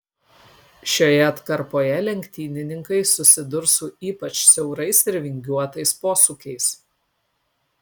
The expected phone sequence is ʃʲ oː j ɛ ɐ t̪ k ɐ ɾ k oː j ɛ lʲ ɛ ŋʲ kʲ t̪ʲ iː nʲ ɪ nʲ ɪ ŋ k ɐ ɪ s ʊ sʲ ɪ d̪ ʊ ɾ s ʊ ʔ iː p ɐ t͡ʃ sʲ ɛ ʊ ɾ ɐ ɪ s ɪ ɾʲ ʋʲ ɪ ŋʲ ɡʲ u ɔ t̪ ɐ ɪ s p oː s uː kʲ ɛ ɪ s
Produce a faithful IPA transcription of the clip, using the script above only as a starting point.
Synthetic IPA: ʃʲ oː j ɛ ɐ t̪ k ɐ ɾ p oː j ɛ lʲ ɛ ŋʲ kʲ t̪ʲ iː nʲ ɪ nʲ ɪ ŋ k ɐ ɪ s ʊ sʲ ɪ d̪ ʊ ɾ s ʊ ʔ iː p ɐ t͡ʃ sʲ ɛ ʊ ɾ ɐ ɪ s ɪ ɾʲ ʋʲ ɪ ŋʲ ɡʲ u ɔ t̪ ɐ ɪ s p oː s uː kʲ ɛ ɪ s